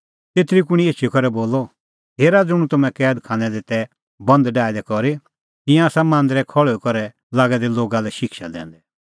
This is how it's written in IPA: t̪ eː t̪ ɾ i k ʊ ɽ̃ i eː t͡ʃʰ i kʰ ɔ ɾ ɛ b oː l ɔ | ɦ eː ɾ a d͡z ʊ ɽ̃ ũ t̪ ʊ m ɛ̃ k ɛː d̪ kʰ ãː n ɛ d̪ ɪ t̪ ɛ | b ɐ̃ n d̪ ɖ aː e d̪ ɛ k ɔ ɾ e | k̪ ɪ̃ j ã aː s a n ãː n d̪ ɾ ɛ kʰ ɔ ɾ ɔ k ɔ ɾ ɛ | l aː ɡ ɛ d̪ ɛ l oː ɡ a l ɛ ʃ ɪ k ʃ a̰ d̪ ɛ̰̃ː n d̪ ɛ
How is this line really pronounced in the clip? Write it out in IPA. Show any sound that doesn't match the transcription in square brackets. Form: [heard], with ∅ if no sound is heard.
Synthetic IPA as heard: t̪ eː t̪ ɾ i k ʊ ɽ̃ i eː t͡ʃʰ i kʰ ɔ ɾ ɛ b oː l ɔ | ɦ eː ɾ a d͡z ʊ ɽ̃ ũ t̪ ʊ m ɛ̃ k ɛː d̪ kʰ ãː n ɛ d̪ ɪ t̪ ɛ | b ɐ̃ n d̪ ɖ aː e d̪ ɛ k ɔ ɾ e | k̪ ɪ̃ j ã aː s a [m] ãː n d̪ ɾ ɛ kʰ ɔ [ɭ] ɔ k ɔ ɾ ɛ | l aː ɡ ɛ d̪ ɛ l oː ɡ a l ɛ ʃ ɪ k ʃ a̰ d̪ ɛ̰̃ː n d̪ ɛ